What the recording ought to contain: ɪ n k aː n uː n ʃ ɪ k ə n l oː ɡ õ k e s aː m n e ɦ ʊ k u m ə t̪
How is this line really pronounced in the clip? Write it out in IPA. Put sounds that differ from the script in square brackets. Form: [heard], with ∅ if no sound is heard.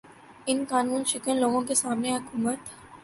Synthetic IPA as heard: ɪ n k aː n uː n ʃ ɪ k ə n l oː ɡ õ k e s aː m n e ɦ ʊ k [uː] m ə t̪